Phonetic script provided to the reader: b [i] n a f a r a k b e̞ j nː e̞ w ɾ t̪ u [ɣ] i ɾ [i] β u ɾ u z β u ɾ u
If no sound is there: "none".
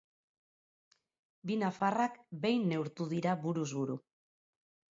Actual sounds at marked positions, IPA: i, ð, a

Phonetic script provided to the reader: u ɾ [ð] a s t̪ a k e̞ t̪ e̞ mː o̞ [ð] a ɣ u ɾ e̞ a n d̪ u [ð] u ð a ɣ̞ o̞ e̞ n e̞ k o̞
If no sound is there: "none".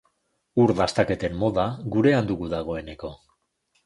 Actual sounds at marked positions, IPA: ð, ð, ɣ

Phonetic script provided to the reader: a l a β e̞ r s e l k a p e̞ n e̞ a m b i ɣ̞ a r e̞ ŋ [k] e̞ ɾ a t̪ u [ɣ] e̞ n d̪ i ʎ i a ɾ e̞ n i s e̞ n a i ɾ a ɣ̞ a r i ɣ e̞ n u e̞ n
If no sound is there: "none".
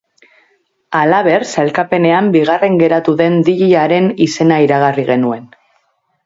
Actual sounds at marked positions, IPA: ɡ, ð

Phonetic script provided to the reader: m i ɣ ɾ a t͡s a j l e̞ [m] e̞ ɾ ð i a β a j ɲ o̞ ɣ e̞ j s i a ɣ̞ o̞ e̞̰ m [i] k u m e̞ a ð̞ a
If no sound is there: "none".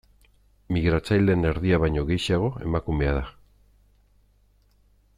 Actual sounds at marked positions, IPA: n, a

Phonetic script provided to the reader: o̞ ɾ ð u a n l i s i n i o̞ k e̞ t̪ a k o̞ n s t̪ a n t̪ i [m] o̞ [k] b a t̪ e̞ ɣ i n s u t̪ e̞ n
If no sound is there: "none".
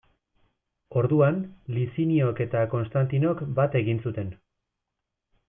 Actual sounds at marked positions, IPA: n, k

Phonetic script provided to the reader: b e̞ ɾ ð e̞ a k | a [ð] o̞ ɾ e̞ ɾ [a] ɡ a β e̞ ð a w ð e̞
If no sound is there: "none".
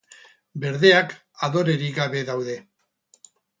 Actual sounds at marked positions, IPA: ð, i

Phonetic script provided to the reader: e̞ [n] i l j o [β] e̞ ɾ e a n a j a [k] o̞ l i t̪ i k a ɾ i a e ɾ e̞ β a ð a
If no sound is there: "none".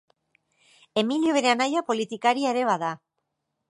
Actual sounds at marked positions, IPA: m, β, p

